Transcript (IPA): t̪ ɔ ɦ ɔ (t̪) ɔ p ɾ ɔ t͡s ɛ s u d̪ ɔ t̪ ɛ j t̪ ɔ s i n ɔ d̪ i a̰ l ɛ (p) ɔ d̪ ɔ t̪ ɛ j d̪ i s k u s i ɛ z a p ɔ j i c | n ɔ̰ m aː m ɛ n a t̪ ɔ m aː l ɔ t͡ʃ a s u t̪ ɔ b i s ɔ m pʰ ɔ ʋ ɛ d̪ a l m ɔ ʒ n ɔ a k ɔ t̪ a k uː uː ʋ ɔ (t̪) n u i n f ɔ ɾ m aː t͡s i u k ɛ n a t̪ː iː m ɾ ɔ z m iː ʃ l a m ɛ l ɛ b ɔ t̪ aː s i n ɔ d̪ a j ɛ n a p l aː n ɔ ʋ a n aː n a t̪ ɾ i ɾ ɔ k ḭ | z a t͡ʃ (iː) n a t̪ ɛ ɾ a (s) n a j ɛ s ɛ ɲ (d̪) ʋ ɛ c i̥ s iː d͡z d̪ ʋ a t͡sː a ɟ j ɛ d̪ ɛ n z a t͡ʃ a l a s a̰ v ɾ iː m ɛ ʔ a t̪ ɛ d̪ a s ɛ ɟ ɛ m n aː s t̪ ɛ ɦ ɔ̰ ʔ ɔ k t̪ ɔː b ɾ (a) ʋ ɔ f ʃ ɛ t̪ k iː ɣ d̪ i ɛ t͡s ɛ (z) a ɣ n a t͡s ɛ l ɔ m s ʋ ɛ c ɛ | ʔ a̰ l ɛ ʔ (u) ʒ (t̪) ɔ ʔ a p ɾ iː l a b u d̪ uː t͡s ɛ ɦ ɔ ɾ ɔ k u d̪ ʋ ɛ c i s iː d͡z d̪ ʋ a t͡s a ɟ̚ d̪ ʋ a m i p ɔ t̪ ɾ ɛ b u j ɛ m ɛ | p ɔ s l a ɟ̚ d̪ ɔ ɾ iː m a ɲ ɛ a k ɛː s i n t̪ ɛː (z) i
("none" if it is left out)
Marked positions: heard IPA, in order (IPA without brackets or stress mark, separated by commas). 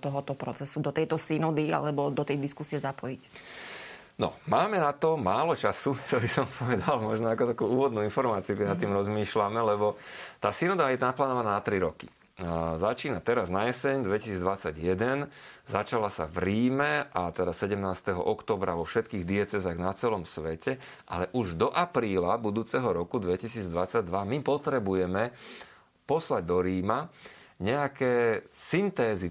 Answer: t̪, b, d̪, iː, z, d̪, a, z, u, d̪, z